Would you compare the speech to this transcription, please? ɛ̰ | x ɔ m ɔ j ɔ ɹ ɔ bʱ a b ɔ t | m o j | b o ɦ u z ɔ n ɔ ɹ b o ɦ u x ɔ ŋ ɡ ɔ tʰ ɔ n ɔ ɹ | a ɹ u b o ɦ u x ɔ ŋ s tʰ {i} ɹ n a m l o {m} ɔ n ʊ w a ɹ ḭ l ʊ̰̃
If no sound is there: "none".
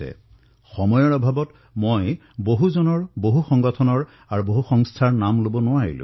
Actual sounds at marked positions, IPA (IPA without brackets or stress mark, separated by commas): a, b